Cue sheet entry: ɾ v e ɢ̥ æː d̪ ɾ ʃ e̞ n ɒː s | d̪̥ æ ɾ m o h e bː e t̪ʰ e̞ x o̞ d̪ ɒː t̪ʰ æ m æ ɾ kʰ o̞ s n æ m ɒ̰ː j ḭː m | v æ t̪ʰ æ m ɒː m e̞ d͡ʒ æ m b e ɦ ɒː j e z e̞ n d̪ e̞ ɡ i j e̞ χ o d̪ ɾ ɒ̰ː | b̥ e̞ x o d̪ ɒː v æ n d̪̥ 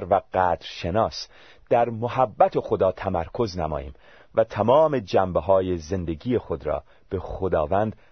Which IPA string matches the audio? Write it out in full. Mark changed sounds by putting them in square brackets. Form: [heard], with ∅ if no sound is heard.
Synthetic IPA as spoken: ɾ v [æ] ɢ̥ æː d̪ ɾ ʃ e̞ n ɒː s | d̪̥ æ ɾ m o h [æ] bː [æ] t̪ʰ e̞ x o̞ d̪ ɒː t̪ʰ æ m æ ɾ kʰ o̞ [z] n æ m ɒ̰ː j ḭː m | v æ t̪ʰ æ m ɒː m e̞ d͡ʒ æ m b e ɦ ɒː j e z e̞ n d̪ e̞ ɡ i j e̞ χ o d̪ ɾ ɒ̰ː | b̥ e̞ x o d̪ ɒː v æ n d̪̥